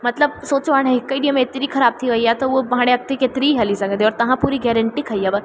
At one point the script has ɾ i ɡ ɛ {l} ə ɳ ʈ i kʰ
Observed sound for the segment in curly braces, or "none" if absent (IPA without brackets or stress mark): ɾ